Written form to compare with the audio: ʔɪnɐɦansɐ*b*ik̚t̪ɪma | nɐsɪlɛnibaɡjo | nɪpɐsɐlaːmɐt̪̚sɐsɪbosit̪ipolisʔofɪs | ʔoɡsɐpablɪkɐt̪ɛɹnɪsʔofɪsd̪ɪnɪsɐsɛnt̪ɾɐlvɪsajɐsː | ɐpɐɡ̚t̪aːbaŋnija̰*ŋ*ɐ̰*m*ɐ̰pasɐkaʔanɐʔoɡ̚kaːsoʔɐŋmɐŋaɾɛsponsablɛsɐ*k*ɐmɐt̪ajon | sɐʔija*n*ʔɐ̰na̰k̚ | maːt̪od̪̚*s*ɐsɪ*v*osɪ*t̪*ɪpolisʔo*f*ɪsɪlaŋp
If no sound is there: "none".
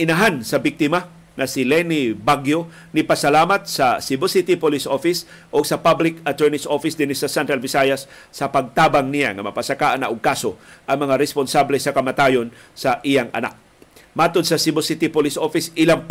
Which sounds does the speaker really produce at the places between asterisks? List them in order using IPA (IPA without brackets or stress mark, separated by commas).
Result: b, ŋ, m, k, ŋ, s, b, t̪, f